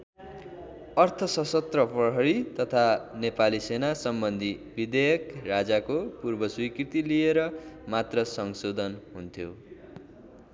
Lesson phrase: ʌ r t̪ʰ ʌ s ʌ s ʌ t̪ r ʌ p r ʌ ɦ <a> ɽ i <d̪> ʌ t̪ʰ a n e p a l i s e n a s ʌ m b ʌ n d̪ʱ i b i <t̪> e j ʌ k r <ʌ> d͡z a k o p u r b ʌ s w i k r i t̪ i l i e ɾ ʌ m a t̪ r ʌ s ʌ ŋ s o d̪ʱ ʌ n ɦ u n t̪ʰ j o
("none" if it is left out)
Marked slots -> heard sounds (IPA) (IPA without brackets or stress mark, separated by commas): ʌ, t̪, d̪, a